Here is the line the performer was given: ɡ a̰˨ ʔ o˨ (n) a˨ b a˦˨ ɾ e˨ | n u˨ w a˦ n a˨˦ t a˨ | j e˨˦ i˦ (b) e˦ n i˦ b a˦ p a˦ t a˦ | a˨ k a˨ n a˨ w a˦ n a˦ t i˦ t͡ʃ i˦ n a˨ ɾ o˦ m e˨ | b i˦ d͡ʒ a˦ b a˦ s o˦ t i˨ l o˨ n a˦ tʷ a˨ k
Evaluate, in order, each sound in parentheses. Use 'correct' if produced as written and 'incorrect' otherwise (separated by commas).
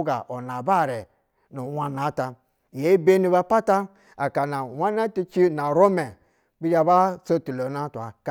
correct, correct